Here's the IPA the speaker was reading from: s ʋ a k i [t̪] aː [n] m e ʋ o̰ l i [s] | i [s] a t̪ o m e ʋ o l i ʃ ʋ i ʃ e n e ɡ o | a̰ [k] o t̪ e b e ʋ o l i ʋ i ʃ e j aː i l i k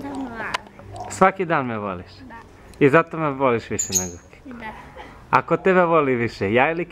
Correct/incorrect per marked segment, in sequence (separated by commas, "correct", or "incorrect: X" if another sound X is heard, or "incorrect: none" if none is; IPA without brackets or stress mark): incorrect: d̪, correct, incorrect: ʃ, incorrect: z, correct